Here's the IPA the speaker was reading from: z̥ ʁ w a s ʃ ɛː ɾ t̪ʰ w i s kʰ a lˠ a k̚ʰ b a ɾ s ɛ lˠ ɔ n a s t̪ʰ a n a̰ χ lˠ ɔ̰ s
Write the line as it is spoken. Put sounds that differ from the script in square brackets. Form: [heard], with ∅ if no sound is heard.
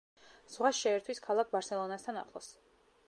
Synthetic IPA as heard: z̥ ʁ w a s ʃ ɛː ɾ t̪ʰ w i s kʰ a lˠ a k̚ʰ b a ɾ s ɛ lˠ ɔ n a s t̪ʰ a n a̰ χ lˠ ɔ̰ s